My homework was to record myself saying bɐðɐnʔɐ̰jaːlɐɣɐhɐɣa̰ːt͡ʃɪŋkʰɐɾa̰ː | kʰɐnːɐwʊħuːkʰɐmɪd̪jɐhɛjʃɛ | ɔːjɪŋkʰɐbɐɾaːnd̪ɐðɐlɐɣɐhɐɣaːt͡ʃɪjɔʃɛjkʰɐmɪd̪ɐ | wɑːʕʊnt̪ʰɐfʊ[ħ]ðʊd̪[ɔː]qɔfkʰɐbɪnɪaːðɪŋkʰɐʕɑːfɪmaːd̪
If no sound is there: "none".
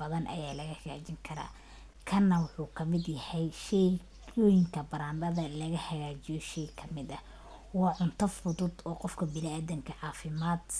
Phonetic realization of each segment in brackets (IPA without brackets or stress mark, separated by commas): none, ɔː